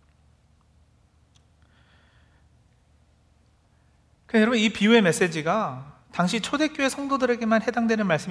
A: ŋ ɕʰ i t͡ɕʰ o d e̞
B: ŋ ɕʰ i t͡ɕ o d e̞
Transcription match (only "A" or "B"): A